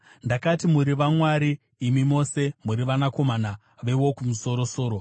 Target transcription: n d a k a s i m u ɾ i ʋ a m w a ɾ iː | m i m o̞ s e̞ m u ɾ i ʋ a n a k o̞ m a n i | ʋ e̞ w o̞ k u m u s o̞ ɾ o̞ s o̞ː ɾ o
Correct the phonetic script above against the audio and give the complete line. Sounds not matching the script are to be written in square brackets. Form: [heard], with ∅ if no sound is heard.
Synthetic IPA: n d a k a [t] i m u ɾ i ʋ a m w a ɾ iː | m i m o̞ s e̞ m u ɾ i ʋ a n a k o̞ m a n [a] | ʋ e̞ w o̞ k u m u s o̞ ɾ o̞ s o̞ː ɾ o